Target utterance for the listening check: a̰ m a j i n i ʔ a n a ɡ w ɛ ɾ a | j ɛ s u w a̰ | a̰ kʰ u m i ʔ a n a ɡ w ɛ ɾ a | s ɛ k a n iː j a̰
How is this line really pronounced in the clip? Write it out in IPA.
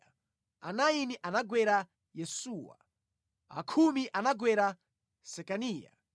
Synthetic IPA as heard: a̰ n a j i n i ʔ a n a ɡ w ɛ ɾ a | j ɛ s u w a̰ | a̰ kʰ u m i ʔ a n a ɡ w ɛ ɾ a | s ɛ k a n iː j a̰

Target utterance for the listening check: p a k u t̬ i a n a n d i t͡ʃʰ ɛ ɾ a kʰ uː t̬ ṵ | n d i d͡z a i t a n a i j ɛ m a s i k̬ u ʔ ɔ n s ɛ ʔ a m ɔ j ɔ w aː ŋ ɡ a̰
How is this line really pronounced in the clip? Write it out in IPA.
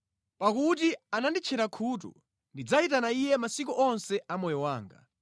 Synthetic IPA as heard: p a k u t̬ i a n a n d i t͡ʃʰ ɛ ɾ a kʰ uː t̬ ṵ | n d i d͡z a i t a n a i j ɛ m a s i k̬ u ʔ ɔ n s ɛ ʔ a m ɔ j ɔ w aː ŋ ɡ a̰

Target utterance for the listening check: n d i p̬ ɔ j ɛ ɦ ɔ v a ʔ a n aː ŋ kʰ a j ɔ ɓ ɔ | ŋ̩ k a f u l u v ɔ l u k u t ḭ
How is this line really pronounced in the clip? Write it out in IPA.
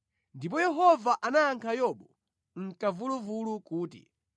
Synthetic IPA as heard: n d i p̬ ɔ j ɛ ɦ ɔ v a ʔ a n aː ŋ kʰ a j ɔ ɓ ɔ | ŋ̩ k a v u l u v u l u k uː t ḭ

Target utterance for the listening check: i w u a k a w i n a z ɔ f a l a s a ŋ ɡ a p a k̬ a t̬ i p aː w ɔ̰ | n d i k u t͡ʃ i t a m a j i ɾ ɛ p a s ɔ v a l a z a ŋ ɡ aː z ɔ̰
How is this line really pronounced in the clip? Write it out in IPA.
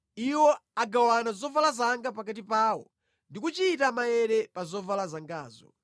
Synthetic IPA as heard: i w ɔ a ɡ a w a n a z ɔ v a l a z a ŋ ɡ a p a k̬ a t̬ i p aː w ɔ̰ | n d i k u t͡ʃ i t a m a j ɛ ɾ ɛ p a z ɔ v a l a z a ŋ ɡ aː z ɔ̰

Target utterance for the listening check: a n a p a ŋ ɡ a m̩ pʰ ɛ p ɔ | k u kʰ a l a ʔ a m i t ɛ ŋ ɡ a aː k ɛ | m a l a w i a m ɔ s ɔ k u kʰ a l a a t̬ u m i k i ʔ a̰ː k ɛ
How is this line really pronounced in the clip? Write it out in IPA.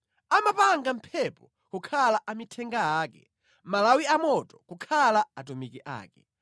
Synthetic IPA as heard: a m a p a ŋ ɡ a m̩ pʰ ɛ p ɔ | k u kʰ a l a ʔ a m i tʰ ɛ ŋ ɡ a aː k ɛ | m a l a w i a m ɔ t ɔ k u kʰ a l a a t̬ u m i k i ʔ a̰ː k ɛ

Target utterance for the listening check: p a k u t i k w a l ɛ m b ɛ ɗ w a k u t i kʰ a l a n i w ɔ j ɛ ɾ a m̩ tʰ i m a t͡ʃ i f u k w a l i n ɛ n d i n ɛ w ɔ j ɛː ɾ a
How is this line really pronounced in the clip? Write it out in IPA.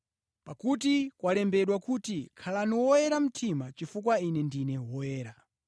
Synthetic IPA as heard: p a k u t i k w a l ɛ m b ɛ ɗ w a k u t i kʰ a l a n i w ɔ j ɛ ɾ a m̩ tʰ i m a t͡ʃ i f u k w a i n ɛ n d i n ɛ w ɔ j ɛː ɾ a

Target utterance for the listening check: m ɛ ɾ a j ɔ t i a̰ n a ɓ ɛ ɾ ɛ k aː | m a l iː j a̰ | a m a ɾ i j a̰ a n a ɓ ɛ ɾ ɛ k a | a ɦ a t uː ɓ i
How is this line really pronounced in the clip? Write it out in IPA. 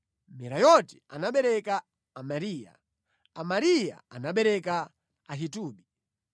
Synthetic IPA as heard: m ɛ ɾ a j ɔ t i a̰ n a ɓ ɛ ɾ ɛ k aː | m a ɾ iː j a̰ | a m a ɾ i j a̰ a n a ɓ ɛ ɾ ɛ k a | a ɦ i t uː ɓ i

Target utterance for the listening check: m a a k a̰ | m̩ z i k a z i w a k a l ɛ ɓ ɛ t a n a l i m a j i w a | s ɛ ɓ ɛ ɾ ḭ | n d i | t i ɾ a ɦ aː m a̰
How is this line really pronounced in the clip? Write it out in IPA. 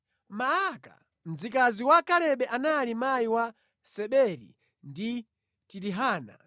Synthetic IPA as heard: m a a k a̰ | m̩ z i k a z i w a k a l ɛ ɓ ɛ ʔ a n a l i m a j i w a | s ɛ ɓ ɛ ɾ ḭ | n d i | t i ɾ i ɦ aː n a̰

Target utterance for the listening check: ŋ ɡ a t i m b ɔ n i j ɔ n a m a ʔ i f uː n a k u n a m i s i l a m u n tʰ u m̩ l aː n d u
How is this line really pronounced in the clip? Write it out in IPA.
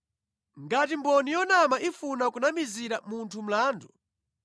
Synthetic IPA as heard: ŋ ɡ a t i m b ɔ n i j ɔ n a m a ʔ i f u n a k u n a m i z i ɾ a m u n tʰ u m̩ l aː n d u

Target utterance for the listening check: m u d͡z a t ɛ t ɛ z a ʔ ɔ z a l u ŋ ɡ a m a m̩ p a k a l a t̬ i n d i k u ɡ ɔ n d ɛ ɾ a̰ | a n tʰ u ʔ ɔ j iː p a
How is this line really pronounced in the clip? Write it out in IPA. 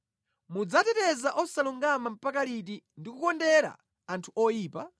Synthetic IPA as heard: m u d͡z a t ɛ t ɛ z a ʔ ɔ s a l u ŋ ɡ a m a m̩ p a k a l i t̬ i n d i k u k ɔ n d ɛ ɾ a̰ | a n tʰ u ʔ ɔ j iː p a

